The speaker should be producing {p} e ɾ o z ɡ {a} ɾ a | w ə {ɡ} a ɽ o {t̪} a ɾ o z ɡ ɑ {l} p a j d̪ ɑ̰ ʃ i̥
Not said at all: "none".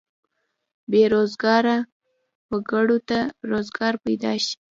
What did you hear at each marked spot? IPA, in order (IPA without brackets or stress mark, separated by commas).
b, ɑ, ɡ, t̪, ɾ